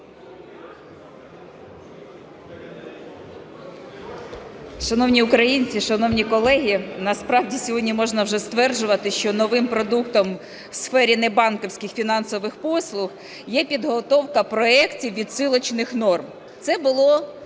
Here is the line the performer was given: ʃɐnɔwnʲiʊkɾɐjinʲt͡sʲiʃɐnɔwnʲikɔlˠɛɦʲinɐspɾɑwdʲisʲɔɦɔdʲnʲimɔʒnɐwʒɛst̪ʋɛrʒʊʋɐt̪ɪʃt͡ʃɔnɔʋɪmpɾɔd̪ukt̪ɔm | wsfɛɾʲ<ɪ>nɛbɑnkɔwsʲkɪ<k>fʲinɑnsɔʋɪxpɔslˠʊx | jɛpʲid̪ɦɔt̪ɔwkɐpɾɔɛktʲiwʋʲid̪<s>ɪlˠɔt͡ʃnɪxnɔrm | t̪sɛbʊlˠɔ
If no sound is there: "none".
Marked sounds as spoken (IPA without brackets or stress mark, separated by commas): i, x, s